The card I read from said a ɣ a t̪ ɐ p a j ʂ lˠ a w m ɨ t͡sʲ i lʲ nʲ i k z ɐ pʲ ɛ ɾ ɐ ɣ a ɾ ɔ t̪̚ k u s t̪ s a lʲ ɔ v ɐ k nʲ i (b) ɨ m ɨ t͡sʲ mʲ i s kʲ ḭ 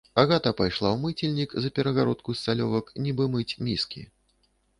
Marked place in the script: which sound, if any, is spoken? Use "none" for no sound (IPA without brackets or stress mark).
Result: b